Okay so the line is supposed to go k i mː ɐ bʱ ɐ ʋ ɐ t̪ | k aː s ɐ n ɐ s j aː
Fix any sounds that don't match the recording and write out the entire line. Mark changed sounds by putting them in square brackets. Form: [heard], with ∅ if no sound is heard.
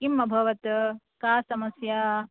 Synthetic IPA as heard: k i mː ɐ bʱ ɐ ʋ ɐ t̪ | k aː s ɐ [m] ɐ s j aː